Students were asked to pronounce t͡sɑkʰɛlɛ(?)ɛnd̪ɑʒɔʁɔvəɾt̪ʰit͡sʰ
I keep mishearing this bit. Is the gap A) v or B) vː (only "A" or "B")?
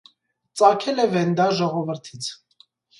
A